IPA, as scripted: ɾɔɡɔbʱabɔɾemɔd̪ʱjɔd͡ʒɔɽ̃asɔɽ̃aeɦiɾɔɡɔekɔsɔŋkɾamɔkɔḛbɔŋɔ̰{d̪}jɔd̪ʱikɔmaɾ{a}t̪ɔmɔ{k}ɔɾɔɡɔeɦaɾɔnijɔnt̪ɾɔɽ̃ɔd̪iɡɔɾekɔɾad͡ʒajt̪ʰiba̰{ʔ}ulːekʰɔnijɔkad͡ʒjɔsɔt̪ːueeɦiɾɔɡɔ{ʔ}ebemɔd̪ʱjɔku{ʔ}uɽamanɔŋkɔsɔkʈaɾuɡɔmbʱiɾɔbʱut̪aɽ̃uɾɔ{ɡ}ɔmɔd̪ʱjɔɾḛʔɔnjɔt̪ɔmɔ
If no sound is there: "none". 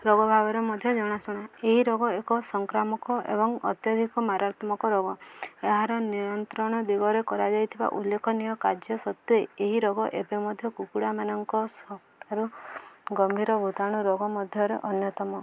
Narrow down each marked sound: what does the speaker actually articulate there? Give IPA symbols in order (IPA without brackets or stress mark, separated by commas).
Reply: t̪, a, k, ʔ, ʔ, k, ɡ